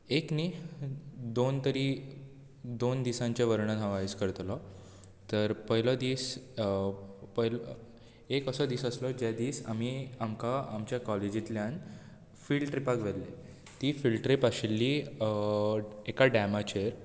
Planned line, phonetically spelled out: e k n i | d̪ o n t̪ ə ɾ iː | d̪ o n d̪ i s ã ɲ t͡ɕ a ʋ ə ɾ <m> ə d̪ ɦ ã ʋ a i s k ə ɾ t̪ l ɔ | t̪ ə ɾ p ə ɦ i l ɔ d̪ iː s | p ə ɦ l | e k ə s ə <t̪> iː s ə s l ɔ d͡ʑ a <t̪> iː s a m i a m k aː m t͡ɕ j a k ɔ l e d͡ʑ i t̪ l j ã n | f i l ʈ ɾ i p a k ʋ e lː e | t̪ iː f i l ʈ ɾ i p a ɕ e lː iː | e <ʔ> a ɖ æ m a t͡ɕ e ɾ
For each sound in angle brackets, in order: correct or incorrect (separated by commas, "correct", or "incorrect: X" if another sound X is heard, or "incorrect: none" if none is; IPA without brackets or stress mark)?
incorrect: ɳ, incorrect: d̪, incorrect: d̪, incorrect: k